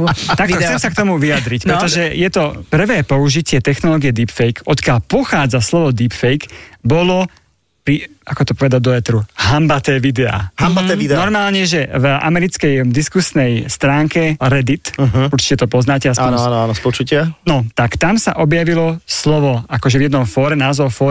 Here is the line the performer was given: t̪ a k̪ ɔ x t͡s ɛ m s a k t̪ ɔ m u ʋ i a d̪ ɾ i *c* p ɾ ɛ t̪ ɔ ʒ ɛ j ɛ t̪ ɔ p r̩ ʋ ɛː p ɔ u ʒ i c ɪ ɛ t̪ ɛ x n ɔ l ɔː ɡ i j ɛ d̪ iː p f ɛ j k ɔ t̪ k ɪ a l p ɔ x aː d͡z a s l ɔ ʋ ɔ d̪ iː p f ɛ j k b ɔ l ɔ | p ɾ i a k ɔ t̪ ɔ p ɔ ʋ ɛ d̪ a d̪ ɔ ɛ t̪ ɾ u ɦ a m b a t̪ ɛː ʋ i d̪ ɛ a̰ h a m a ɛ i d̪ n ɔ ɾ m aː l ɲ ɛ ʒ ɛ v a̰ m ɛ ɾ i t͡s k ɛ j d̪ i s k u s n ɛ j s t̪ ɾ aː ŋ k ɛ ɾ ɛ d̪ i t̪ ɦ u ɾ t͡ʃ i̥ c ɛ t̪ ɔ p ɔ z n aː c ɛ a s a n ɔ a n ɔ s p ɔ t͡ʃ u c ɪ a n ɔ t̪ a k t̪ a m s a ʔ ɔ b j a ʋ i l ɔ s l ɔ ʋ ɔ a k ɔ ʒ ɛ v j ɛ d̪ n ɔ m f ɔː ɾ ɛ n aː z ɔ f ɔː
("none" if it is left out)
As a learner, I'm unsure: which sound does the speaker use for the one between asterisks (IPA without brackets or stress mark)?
c